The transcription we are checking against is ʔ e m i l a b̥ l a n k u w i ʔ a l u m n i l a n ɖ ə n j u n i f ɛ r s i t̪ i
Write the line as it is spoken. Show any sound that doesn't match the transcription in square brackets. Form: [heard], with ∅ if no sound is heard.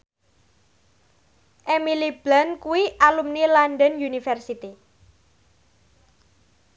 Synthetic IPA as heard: ʔ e m i l [i] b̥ l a n k u w i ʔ a l u m n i l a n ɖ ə n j u n i f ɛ r s i t̪ i